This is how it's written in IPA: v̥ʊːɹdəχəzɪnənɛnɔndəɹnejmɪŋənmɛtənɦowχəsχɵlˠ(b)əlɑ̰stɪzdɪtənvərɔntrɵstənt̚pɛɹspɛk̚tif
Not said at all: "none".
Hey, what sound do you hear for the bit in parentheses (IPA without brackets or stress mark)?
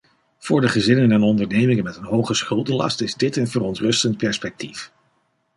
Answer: d